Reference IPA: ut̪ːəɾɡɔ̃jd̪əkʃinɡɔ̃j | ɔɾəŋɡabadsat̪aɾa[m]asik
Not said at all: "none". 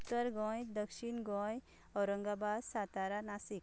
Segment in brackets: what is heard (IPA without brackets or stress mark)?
n